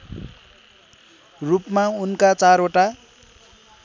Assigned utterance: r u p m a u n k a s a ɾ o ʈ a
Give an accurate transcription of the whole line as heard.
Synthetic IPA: r u p m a u n k a t͡s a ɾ o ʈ a